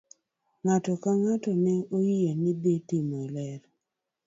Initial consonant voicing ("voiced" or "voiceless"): voiced